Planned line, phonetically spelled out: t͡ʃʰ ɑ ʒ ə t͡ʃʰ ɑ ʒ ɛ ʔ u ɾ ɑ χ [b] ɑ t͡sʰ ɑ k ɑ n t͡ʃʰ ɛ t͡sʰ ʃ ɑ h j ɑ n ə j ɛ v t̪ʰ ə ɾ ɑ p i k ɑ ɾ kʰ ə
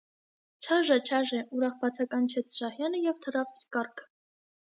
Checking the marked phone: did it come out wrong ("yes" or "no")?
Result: no